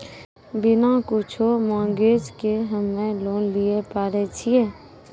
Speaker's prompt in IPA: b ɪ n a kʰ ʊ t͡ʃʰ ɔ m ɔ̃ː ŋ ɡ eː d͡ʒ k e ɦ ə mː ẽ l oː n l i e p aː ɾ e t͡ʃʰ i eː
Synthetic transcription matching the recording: b ɪ n a k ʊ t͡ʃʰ o m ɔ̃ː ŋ ɡ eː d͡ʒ k e ɦ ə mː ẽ l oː n l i e p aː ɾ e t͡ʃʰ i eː